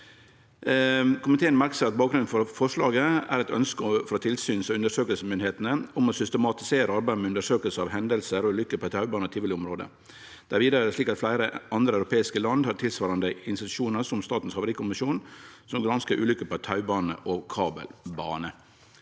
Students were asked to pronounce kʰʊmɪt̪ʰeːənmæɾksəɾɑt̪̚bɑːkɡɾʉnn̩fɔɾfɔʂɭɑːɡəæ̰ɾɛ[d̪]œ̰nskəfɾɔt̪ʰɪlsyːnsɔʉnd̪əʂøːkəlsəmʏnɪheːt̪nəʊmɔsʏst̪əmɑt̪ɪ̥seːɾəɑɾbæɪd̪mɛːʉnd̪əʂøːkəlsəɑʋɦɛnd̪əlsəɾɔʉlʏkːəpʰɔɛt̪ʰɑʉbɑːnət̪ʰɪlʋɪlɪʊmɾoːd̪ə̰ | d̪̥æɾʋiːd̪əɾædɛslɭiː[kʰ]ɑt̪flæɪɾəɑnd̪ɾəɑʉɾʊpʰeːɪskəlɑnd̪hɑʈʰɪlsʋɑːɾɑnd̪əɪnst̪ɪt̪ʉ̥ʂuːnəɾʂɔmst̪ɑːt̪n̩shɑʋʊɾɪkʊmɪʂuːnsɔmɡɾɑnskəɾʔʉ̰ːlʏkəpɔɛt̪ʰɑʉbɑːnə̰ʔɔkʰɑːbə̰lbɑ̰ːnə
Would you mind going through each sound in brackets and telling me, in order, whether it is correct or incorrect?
incorrect, incorrect

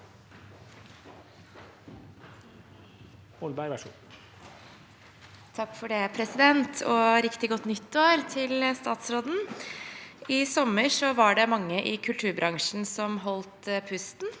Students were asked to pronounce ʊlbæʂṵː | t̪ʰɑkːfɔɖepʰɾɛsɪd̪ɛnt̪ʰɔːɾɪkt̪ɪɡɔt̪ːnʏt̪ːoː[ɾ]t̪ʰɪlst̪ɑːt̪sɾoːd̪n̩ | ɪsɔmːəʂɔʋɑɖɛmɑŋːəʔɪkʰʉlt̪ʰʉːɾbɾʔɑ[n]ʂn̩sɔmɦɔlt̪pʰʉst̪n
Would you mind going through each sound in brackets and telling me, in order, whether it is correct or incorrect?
correct, incorrect

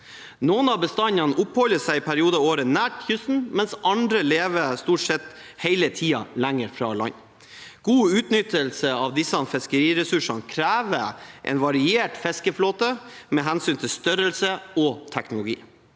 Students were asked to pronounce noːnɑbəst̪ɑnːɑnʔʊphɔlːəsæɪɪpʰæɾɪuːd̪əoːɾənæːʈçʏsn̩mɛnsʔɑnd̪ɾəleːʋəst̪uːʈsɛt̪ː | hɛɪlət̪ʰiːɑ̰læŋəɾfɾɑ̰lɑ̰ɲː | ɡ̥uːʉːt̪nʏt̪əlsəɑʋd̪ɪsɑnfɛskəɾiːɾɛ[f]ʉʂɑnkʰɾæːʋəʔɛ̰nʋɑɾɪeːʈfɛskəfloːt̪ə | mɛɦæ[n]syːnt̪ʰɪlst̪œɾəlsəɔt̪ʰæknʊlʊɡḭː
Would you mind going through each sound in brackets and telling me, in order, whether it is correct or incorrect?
incorrect, correct

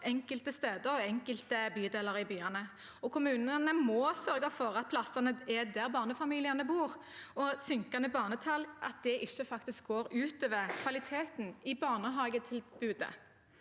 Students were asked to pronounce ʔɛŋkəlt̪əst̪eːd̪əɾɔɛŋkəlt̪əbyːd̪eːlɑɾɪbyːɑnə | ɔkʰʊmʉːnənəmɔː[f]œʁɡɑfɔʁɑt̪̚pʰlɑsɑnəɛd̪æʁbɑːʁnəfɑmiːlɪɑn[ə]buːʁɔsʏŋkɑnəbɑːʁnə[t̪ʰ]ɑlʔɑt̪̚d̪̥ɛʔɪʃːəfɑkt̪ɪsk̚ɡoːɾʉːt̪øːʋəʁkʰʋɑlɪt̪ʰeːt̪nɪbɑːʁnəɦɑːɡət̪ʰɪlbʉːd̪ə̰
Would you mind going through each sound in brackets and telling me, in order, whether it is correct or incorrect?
incorrect, correct, correct

